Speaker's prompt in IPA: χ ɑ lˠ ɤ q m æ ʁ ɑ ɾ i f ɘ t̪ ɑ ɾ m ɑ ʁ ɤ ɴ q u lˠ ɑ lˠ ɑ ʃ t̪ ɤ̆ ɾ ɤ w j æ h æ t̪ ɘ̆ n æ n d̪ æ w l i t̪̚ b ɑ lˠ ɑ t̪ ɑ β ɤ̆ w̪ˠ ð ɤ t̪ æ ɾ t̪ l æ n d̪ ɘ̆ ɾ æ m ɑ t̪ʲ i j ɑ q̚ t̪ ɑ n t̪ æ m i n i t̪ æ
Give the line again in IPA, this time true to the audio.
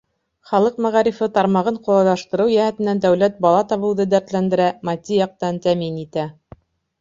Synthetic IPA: χ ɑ lˠ ɤ q m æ ʁ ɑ ɾ i f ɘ t̪ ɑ ɾ m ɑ ʁ ɤ ɴ q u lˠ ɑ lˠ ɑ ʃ t̪ ɤ̆ ɾ ɤ w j æ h æ t̪ ɘ̆ n æ n d̪ æ w l æ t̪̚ b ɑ lˠ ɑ t̪ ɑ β ɤ̆ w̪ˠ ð ɤ d̪ æ ɾ t̪ l æ n d̪ ɘ̆ ɾ æ m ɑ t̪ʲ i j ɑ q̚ t̪ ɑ n t̪ æ m i n i t̪ æ